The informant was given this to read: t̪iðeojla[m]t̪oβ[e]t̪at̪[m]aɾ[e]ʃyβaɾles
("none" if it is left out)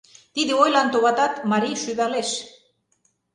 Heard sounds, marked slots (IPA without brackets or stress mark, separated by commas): n, a, m, i